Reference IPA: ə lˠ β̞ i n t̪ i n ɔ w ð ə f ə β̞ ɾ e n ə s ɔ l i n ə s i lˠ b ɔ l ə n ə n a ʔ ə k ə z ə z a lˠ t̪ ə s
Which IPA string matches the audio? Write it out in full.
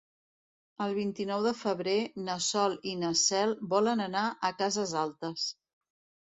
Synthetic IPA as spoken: ə lˠ β̞ i n t̪ i n ɔ w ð ə f ə β̞ ɾ e n ə s ɔ l i n ə s ɛ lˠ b ɔ l ə n ə n a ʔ ə k a z ə z a lˠ t̪ ə s